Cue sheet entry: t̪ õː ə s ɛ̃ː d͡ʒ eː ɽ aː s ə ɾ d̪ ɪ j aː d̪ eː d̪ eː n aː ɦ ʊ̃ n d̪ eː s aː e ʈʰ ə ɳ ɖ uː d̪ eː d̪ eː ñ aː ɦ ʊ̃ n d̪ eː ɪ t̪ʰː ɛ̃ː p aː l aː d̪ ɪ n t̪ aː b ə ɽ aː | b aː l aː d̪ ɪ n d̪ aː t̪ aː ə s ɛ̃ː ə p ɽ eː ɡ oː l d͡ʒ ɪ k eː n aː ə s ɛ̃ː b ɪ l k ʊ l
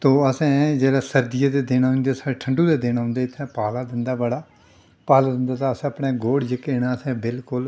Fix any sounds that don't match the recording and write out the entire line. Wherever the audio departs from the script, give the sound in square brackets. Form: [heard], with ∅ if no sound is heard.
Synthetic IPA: t̪ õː ə s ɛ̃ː d͡ʒ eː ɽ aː s ə ɾ d̪ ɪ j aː d̪ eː d̪ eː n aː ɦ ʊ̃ n d̪ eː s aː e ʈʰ ə ɳ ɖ uː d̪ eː d̪ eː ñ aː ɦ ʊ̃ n d̪ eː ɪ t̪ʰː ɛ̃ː p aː l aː d̪ ɪ n [d̪] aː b ə ɽ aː | [p] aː l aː d̪ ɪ n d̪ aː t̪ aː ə s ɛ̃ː ə p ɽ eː ɡ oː [ɽ] d͡ʒ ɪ k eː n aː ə s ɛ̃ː b ɪ l k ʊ l